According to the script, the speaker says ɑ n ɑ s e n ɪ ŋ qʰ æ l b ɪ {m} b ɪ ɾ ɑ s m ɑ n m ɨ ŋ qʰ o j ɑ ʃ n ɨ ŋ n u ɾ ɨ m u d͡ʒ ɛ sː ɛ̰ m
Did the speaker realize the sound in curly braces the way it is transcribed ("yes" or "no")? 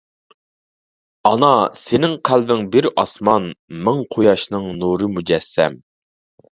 no